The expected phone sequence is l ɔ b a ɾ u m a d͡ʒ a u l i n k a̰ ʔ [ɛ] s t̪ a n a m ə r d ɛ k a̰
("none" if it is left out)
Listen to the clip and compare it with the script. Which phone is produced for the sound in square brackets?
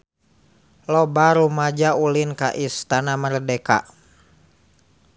i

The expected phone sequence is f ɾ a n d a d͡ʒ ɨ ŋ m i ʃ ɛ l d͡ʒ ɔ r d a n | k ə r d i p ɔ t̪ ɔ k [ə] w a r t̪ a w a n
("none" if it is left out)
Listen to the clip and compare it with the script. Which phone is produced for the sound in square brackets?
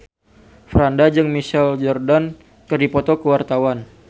ə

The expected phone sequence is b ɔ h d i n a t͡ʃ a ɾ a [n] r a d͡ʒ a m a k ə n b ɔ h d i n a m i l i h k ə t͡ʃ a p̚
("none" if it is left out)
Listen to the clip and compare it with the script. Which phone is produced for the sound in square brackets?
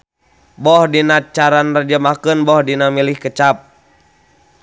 n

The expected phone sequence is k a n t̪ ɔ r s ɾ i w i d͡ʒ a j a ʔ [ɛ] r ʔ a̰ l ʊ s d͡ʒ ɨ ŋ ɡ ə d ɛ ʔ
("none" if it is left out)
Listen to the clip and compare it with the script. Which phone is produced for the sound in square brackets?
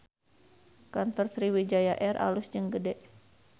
ɛ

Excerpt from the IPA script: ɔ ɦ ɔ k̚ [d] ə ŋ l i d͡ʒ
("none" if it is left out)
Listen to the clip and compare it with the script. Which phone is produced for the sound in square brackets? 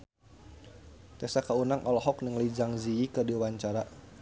n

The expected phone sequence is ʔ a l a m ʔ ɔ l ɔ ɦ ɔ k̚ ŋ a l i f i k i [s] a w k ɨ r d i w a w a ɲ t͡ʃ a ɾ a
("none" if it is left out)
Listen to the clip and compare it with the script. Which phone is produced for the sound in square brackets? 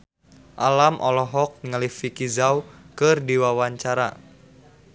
z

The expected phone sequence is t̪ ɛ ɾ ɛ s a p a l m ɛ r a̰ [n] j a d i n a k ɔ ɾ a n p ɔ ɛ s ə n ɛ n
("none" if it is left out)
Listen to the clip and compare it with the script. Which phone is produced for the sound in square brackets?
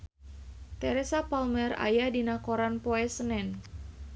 none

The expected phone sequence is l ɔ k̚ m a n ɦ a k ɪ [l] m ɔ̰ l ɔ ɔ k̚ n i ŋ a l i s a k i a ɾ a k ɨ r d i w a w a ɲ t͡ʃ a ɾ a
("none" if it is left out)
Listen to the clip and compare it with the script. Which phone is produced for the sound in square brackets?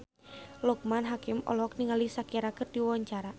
none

